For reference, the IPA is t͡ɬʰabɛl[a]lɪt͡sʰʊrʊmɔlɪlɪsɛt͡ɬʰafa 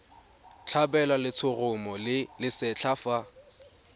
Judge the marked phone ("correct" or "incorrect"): correct